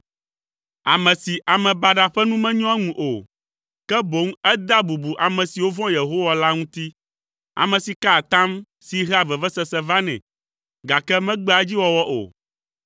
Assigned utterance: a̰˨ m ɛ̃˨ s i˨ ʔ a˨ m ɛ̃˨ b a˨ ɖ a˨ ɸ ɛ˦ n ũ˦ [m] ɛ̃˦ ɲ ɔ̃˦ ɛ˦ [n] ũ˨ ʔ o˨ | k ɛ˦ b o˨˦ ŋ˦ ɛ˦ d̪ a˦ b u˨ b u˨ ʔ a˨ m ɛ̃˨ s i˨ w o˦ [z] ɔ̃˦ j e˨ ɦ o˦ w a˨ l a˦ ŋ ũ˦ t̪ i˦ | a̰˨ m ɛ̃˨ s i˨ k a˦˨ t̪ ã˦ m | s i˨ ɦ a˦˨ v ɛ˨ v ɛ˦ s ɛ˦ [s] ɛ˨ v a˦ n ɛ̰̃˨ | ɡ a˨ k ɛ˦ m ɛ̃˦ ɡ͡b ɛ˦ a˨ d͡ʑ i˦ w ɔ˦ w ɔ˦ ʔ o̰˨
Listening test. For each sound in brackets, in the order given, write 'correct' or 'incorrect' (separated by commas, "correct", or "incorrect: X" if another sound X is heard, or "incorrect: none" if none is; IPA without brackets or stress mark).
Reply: correct, incorrect: ŋ, incorrect: v, correct